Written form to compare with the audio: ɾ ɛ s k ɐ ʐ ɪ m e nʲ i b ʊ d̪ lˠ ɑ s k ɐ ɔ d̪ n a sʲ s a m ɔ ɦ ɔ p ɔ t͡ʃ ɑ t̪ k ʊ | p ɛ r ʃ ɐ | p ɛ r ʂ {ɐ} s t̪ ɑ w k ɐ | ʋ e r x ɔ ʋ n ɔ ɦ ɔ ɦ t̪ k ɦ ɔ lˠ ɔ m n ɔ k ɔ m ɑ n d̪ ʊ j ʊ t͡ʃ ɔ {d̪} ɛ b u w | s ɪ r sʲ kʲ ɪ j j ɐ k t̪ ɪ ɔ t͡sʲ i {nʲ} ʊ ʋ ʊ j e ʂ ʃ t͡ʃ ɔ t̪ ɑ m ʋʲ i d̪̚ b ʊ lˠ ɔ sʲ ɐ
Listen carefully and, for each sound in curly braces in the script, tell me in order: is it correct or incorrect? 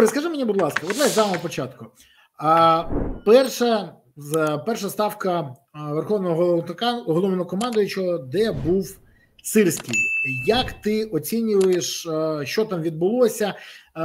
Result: correct, correct, correct

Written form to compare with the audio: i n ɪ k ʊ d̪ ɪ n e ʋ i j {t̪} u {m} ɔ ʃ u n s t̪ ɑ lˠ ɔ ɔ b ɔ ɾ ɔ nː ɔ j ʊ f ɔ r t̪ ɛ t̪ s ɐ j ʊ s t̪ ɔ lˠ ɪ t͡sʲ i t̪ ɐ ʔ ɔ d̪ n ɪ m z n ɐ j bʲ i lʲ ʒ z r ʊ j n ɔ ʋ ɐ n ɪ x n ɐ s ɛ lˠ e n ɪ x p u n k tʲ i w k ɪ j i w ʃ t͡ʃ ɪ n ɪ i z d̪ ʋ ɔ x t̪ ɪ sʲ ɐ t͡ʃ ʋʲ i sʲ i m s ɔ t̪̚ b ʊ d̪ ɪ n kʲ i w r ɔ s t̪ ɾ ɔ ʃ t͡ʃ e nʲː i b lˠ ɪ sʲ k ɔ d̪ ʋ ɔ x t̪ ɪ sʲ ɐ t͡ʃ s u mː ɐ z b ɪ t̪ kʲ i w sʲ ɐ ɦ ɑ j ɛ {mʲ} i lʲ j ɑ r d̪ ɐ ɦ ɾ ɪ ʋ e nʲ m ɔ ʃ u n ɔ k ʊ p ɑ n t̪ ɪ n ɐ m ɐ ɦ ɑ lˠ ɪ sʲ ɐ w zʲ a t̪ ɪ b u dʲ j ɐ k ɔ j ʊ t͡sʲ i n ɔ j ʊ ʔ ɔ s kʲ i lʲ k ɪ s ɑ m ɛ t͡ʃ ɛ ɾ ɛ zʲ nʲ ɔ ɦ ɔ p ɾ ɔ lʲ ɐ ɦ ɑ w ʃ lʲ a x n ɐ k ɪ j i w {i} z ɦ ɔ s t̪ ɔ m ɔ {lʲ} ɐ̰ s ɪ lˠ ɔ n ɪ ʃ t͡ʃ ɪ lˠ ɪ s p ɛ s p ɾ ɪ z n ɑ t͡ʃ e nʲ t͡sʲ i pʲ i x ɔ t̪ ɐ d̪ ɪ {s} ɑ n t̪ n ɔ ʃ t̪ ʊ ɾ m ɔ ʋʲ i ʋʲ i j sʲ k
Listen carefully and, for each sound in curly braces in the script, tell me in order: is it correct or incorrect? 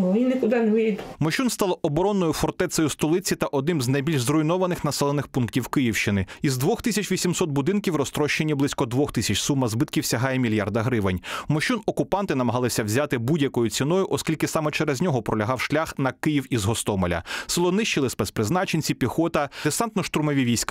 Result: incorrect: d̪, correct, correct, correct, correct, correct

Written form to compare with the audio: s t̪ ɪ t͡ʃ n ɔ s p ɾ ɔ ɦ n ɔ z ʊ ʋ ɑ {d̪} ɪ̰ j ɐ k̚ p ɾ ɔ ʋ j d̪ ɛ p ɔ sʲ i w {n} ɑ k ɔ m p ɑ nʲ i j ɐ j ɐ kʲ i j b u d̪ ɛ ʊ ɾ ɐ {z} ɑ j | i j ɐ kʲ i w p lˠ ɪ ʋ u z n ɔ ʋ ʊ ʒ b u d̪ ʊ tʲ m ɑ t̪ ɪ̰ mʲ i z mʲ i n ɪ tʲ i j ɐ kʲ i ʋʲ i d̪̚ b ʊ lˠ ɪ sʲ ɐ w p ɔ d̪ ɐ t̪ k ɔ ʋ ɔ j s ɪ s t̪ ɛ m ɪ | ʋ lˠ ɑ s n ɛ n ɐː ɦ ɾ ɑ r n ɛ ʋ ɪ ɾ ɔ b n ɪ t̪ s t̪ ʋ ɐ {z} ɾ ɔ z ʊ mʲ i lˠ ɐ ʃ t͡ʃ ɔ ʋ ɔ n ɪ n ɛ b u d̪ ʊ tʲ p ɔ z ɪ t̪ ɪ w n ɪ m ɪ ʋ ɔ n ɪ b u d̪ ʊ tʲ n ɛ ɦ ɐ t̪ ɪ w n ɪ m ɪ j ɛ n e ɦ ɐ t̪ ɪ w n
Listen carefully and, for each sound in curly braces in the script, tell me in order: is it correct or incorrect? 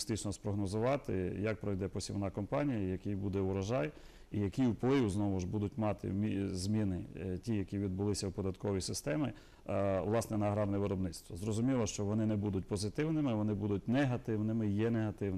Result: incorrect: t̪, correct, incorrect: ʒ, correct

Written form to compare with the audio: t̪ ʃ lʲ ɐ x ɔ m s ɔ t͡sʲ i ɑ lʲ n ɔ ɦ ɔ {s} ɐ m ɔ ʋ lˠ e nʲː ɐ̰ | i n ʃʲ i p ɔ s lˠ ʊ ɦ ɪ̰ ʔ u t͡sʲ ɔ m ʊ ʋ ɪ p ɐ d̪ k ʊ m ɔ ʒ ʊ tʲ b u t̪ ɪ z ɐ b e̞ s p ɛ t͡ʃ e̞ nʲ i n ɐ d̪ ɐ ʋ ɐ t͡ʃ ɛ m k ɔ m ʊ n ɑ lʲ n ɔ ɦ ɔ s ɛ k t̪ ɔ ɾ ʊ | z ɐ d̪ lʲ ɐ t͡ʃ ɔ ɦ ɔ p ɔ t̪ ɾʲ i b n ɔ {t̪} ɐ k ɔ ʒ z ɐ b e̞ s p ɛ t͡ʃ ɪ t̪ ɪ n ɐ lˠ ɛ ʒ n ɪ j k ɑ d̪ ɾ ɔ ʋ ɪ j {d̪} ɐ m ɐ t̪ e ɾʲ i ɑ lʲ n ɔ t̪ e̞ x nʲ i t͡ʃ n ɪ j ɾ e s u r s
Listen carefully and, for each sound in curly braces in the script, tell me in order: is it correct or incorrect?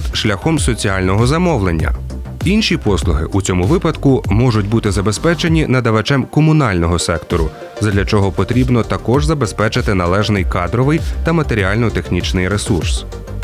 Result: incorrect: z, correct, incorrect: t̪

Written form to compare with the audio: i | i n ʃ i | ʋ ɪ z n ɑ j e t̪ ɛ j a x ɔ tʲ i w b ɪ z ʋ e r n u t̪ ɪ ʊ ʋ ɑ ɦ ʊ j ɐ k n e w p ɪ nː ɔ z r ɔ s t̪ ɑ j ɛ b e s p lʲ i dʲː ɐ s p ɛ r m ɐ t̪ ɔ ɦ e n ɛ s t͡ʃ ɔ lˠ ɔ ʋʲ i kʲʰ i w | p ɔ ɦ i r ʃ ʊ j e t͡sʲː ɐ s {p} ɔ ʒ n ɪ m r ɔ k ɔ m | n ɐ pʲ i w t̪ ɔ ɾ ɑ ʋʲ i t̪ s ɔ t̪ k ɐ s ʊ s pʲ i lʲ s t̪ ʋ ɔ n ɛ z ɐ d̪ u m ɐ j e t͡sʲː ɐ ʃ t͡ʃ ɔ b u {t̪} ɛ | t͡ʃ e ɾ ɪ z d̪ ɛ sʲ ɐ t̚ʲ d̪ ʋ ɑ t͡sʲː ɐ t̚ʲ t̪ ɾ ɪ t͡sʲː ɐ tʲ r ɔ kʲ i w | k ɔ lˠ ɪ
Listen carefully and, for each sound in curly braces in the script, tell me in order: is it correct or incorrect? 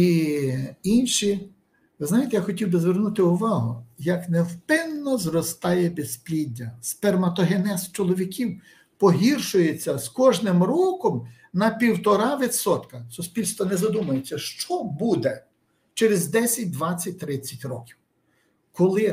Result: incorrect: k, incorrect: d̪

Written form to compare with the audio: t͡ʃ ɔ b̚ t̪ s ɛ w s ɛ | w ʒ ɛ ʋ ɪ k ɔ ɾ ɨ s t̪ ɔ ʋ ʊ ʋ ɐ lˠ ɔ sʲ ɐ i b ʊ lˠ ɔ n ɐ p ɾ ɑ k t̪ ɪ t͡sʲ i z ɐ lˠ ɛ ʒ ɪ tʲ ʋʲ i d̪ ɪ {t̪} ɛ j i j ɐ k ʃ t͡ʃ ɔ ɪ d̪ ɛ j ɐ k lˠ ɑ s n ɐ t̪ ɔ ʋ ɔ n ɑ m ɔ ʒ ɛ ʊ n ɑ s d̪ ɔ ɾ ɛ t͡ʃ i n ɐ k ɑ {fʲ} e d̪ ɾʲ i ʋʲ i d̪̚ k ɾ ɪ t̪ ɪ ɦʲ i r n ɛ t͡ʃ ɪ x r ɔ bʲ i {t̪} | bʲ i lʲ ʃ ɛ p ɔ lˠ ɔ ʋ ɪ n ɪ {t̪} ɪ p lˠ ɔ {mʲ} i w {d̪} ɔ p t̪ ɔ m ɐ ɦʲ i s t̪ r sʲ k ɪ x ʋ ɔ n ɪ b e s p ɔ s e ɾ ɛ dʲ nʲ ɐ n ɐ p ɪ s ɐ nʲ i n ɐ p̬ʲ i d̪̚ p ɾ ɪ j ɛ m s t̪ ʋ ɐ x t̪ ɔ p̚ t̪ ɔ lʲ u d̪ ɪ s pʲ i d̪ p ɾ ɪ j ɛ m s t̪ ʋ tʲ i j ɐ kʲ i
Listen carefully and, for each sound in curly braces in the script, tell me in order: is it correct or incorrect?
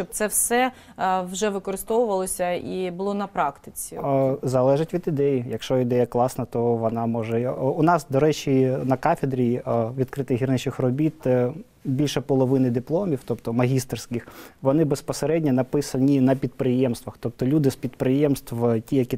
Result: incorrect: d̪, correct, correct, incorrect: d̪, correct, incorrect: t̪

